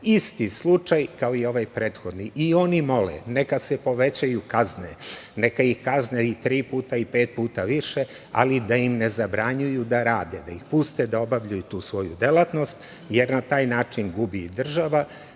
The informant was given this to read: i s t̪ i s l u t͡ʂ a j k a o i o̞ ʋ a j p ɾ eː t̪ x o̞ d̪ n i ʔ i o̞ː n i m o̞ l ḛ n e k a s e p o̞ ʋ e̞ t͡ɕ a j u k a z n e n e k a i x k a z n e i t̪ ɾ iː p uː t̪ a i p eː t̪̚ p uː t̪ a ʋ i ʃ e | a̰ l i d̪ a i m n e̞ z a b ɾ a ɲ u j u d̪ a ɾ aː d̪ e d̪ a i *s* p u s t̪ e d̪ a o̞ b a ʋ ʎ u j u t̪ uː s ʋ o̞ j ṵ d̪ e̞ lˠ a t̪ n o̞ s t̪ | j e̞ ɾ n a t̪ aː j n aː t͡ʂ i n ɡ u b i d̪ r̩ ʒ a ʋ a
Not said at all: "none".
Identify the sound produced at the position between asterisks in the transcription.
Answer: x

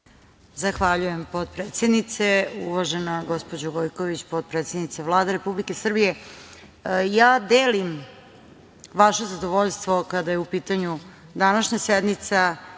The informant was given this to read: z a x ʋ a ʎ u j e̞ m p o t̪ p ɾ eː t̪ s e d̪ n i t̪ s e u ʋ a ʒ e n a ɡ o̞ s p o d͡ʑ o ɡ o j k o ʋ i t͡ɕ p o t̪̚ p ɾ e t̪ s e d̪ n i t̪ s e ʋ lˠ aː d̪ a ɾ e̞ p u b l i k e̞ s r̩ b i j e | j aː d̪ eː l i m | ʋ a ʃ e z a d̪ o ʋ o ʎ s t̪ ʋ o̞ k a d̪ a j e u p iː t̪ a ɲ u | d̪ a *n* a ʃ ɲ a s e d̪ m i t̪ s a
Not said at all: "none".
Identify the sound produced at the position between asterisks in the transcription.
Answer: n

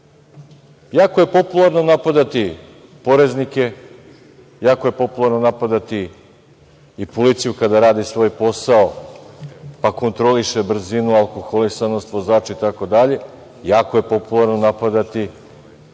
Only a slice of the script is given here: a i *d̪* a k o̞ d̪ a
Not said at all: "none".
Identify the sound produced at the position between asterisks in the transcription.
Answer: t̪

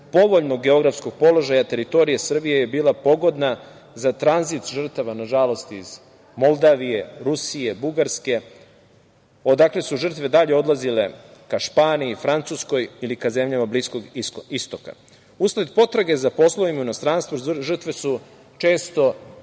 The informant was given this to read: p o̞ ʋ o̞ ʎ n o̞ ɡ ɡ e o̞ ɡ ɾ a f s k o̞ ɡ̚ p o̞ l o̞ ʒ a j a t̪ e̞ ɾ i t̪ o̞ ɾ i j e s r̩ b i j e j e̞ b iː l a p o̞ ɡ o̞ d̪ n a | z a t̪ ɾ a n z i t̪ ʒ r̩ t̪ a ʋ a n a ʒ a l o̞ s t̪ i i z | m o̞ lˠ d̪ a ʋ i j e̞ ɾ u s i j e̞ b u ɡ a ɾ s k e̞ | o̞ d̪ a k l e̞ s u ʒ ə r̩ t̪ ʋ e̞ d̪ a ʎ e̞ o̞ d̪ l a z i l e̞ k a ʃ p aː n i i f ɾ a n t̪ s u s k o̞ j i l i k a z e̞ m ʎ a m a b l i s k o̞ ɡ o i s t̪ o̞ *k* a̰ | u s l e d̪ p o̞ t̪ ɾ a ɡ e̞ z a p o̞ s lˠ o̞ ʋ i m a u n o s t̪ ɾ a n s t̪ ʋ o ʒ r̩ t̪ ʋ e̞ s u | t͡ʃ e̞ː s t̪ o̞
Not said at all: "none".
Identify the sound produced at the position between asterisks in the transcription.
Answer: k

